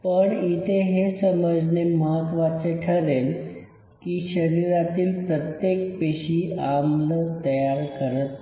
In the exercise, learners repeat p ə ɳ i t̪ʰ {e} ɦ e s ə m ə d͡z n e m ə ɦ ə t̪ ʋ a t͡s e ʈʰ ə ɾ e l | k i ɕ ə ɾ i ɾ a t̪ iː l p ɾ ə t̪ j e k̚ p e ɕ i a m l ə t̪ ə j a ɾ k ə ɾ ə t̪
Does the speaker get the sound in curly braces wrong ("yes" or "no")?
no